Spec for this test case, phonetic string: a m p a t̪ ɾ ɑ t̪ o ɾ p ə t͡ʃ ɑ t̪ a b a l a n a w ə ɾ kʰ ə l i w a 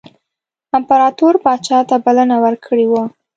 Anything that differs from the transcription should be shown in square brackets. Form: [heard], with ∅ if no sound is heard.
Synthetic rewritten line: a m p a [∅] ɾ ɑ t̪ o ɾ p [ɑ] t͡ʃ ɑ t̪ a b a l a n a w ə ɾ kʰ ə [ɽ] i w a